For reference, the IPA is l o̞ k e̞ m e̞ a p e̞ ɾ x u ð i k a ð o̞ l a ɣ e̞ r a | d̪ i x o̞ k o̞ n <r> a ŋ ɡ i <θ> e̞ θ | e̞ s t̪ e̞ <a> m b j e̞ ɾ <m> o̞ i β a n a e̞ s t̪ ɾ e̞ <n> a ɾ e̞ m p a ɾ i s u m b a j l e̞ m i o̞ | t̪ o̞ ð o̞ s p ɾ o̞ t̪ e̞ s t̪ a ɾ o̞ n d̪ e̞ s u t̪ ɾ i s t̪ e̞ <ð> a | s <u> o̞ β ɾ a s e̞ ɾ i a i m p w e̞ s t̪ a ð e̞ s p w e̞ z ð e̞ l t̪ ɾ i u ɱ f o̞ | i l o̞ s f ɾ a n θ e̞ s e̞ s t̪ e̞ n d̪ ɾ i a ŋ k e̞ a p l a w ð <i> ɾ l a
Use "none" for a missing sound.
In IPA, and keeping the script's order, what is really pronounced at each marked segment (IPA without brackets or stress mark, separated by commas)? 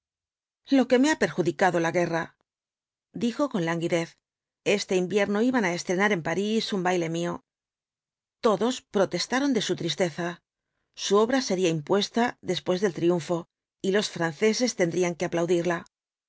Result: l, ð, i, n, n, θ, u, i